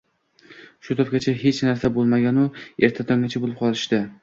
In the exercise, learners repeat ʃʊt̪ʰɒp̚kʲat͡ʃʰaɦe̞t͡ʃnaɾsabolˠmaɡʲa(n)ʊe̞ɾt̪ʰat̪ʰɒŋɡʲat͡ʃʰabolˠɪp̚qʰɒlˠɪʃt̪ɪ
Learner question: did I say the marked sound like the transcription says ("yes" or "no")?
yes